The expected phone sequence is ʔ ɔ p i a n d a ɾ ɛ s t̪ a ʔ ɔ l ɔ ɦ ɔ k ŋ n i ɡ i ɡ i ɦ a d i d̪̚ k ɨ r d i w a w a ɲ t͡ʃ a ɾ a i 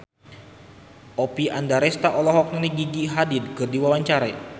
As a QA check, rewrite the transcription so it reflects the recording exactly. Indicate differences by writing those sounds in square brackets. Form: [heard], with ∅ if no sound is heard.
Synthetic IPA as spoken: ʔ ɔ p i a n d a ɾ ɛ s t̪ a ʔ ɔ l ɔ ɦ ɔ k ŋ n i ɡ i ɡ i ɦ a d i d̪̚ k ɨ r d i w a w a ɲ t͡ʃ a ɾ a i